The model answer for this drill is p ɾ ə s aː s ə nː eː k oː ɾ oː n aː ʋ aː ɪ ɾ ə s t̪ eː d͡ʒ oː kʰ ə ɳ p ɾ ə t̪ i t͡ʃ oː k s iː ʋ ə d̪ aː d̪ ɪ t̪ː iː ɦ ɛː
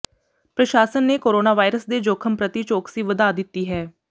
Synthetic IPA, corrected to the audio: p ɾ ə ʃ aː s ə nː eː k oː ɾ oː n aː ʋ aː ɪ ɾ ə s d̪ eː d͡ʒ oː kʰ ə m p ɾ ə t̪ i t͡ʃ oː k s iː ʋ ə d̪ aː d̪ ɪ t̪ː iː ɦ ɛː